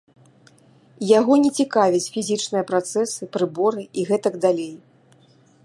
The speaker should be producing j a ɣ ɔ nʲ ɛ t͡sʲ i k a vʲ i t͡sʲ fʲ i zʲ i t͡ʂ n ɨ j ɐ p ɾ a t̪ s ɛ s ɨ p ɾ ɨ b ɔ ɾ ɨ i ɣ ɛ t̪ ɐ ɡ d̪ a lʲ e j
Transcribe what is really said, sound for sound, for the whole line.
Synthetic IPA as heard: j a ɣ ɔ nʲ ɛ t͡sʲ i k a vʲ i t͡sʲ fʲ i zʲ i t͡ʂ n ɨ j ɐ p ɾ a t̪ s ɛ s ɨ p ɾ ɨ b ɔ ɾ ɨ i ɣ ɛ t̪ ɐ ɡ d̪ a lʲ e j